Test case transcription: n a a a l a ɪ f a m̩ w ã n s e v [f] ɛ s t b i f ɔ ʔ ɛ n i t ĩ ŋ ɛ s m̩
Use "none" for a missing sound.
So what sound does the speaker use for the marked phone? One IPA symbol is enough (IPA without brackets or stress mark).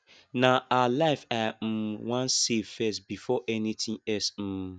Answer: f